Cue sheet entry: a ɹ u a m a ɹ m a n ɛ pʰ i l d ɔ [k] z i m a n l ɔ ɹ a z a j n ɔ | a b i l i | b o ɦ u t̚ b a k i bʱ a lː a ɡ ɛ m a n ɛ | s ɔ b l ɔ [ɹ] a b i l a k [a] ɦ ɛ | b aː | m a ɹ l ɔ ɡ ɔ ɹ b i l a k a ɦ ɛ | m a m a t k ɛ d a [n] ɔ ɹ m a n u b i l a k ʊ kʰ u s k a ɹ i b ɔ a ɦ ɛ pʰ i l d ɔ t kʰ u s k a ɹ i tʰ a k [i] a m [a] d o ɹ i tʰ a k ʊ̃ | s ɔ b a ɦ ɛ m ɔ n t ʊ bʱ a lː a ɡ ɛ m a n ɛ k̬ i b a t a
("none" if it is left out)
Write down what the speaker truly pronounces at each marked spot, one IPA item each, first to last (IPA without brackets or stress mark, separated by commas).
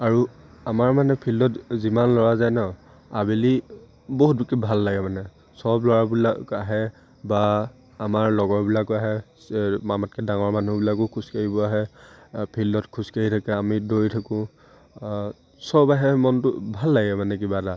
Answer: t, ɹ, a, ŋ, ɛ, i